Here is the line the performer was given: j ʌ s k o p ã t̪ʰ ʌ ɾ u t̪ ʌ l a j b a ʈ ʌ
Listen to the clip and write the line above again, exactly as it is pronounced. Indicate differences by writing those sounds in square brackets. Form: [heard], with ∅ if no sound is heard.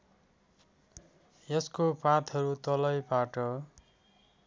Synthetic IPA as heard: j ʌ s k o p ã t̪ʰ ʌ ɾ u t̪ ʌ l [ʌ] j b a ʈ ʌ